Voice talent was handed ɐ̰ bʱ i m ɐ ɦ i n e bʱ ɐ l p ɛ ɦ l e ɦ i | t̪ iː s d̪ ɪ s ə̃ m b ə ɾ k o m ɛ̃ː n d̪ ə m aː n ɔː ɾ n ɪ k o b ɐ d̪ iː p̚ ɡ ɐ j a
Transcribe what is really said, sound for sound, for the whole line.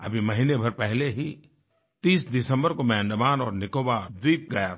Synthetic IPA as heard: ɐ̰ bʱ i m ɐ ɦ i n e bʱ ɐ ɾ p ɛ ɦ l e ɦ i | t̪ iː s d̪ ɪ s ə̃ m b ə ɾ k o m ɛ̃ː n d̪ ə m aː n ɔː ɾ n ɪ k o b a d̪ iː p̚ ɡ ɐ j a